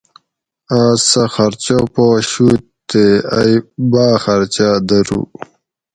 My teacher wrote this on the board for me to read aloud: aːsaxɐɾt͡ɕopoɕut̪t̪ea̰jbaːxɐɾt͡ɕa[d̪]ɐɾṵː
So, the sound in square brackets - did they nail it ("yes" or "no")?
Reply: yes